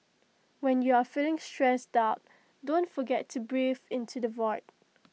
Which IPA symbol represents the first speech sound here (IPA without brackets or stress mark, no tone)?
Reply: w